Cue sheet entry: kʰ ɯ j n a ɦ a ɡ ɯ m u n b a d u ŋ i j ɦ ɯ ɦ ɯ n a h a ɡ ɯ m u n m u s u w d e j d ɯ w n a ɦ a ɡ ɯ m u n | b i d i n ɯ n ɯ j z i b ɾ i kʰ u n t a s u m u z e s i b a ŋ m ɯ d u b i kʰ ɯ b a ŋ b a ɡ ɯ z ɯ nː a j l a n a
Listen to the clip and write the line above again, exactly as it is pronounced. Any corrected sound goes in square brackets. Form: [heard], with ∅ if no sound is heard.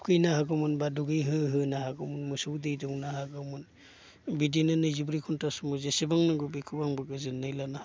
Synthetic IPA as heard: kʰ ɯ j n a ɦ a ɡ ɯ m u n b a d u [ɡ] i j ɦ ɯ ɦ ɯ n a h a ɡ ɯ m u n m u s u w d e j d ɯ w n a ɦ a ɡ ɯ m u n | b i d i n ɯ n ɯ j z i b ɾ i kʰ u n t a s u m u z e s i b a ŋ [n] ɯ [ɡ] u b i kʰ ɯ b a ŋ b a ɡ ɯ z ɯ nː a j l a n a